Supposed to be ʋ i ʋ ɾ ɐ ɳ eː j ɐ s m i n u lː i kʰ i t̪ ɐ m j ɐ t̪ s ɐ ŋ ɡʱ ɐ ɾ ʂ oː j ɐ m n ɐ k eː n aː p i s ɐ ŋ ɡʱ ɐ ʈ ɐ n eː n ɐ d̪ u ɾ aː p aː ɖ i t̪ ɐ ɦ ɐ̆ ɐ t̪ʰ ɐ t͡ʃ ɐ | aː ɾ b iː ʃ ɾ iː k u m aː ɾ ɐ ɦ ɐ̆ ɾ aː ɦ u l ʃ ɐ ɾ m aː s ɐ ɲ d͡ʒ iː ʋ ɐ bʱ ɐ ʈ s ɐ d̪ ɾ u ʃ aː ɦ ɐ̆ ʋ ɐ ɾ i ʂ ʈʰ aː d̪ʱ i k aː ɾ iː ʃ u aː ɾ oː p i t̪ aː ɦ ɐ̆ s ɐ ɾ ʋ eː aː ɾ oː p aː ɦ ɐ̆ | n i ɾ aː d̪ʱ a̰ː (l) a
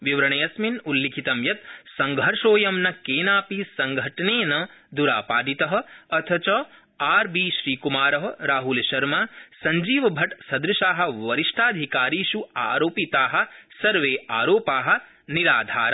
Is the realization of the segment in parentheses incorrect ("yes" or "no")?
yes